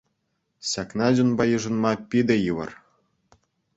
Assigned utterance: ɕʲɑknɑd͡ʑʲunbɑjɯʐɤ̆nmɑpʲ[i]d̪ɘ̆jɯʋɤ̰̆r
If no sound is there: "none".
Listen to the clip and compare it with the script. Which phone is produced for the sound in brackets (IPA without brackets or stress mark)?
i